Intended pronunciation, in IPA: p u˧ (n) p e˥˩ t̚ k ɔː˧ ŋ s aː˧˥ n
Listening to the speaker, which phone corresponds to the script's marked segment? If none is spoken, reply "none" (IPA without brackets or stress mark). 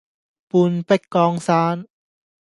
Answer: n